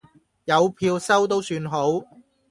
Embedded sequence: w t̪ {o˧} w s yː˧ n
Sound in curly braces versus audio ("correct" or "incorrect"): incorrect